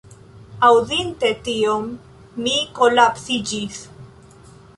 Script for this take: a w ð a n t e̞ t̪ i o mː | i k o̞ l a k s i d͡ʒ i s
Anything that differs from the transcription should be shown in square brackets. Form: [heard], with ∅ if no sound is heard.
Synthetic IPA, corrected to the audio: a w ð [i] n t e̞ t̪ i o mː | i k o̞ l a [p] s i d͡ʒ i s